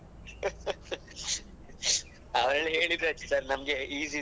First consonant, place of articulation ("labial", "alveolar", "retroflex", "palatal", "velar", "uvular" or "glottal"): labial